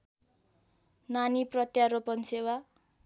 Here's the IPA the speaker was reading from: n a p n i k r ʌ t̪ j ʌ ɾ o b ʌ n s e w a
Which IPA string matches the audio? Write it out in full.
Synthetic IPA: n a n i p r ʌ t̪ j a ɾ o p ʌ n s e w a